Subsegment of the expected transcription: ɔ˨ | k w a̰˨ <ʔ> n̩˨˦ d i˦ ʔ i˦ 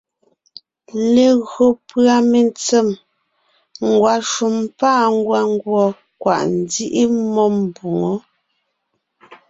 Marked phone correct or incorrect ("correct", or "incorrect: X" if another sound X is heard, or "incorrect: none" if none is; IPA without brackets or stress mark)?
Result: correct